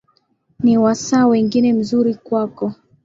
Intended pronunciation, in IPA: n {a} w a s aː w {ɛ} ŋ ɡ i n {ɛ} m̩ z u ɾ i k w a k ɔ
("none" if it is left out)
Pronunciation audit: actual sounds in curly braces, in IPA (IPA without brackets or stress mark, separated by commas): i, ɛ, ɛ